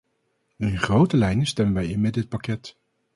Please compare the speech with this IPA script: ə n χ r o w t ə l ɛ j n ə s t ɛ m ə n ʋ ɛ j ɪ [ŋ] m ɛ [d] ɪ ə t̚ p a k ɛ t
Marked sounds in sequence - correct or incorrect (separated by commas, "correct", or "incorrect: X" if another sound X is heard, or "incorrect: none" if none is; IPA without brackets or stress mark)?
incorrect: n, correct